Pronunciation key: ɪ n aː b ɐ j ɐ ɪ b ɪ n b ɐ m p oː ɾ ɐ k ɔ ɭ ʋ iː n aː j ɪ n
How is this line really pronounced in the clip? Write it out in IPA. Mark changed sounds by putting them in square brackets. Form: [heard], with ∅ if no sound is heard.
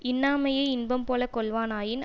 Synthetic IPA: ɪ [nː] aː [m] ɐ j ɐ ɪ [∅] ɪ n b ɐ m p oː [l] ɐ k ɔ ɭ ʋ [aː] n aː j ɪ n